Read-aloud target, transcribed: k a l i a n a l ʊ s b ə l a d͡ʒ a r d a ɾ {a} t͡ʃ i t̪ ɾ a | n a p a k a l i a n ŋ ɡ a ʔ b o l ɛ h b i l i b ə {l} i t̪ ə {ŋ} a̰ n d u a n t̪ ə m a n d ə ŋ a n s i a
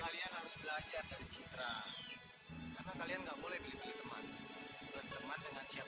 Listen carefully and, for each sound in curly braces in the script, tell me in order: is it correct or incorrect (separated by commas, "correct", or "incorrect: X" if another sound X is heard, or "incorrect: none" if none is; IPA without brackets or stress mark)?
incorrect: i, correct, incorrect: m